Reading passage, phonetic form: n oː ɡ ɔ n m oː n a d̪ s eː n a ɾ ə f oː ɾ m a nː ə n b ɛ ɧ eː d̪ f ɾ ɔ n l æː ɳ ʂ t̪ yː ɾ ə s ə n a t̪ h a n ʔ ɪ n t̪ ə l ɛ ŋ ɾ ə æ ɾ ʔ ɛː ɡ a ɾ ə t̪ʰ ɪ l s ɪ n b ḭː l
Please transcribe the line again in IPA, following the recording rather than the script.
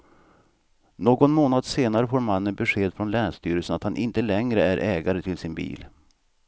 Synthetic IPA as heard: n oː ɡ ɔ n m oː n a d̪ s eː n a ɾ ə f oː ɾ m a nː ə n b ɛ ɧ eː d̪ f ɾ ɔ n l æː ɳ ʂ t̪ yː ɾ ə s ə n a t̪ h a n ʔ ɪ n t̪ ə l ɛ ŋ ɾ ə æ ɾ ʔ ɛː ɡ a ɾ ə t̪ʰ ɪ l s ɪ n b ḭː l